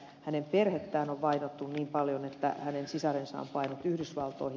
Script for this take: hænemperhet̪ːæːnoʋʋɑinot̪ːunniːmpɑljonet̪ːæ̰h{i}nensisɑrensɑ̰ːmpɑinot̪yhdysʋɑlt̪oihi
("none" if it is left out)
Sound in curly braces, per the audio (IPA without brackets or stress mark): æ